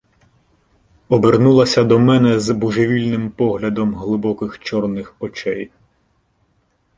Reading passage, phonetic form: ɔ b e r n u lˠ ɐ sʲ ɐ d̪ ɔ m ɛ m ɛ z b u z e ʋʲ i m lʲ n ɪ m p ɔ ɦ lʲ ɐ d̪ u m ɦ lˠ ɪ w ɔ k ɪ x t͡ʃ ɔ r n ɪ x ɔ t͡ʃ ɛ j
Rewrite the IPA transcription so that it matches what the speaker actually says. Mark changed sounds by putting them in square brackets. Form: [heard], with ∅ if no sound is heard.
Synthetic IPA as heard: ɔ b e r n u lˠ ɐ sʲ ɐ d̪ ɔ m ɛ [n] ɛ z b u [ʒ] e ʋʲ i [∅] lʲ n ɪ m p ɔ ɦ lʲ ɐ d̪ [ɔ] m ɦ lˠ ɪ [b] ɔ k ɪ x t͡ʃ ɔ r n ɪ x ɔ t͡ʃ ɛ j